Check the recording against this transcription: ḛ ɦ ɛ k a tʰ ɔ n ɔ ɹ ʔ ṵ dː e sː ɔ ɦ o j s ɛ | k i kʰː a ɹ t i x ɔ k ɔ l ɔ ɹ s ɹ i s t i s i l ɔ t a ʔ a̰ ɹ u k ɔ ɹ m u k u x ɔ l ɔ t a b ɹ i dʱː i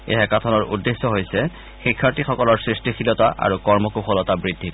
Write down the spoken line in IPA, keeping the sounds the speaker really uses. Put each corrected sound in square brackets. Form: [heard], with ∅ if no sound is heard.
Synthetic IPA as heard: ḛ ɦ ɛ k a tʰ ɔ n ɔ ɹ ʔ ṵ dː e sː ɔ ɦ o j s ɛ | [x] i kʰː a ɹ t i x ɔ k ɔ l ɔ ɹ s ɹ i s t i [x] i l ɔ t a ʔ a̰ ɹ u k ɔ ɹ m [ɔ] k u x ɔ l ɔ t a b ɹ i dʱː i